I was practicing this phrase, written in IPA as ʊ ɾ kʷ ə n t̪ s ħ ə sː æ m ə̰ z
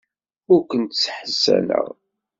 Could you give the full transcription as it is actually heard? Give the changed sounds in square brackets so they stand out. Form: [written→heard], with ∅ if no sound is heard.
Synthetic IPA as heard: ʊ ɾ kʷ ə n t̪ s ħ ə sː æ [m→n] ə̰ [z→ʁ]